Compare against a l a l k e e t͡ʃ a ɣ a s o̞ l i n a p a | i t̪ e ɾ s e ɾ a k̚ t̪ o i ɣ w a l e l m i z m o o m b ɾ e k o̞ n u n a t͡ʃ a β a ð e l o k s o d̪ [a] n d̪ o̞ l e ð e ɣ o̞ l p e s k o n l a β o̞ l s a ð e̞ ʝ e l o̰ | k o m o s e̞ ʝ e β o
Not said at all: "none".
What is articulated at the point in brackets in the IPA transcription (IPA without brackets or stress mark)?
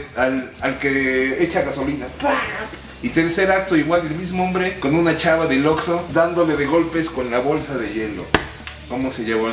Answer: a